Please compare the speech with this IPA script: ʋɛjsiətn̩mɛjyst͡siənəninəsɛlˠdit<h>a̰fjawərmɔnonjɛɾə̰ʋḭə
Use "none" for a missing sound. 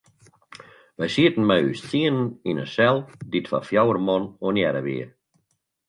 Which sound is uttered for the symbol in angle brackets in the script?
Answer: f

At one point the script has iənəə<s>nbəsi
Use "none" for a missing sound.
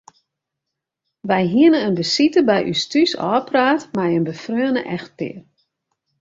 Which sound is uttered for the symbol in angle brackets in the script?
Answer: none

